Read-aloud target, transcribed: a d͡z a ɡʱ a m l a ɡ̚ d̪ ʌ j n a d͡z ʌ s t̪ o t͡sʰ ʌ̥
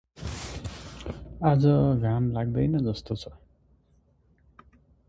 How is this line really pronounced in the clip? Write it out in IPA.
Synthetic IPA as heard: a d͡z ʌ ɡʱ a m l a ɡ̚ d̪ ʌ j n ʌ d͡z ʌ s t̪ o t͡sʰ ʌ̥